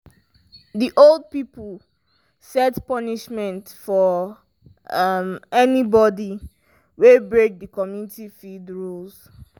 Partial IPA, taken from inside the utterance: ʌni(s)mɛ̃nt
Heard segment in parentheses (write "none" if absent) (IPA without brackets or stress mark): ʃ